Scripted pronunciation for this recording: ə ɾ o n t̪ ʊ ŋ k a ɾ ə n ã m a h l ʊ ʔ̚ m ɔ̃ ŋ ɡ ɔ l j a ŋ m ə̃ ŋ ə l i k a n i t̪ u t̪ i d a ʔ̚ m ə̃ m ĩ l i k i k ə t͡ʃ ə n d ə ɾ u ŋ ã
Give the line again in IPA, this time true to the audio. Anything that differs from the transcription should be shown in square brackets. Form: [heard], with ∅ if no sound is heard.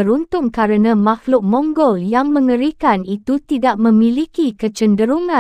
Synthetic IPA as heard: ə ɾ [u] n t̪ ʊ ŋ k a ɾ ə n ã m a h l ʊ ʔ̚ m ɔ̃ ŋ ɡ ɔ l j a ŋ m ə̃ ŋ ə [ɾ] i k a n i t̪ u t̪ i d a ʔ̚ m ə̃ m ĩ l i k i k ə t͡ʃ ə n d ə ɾ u ŋ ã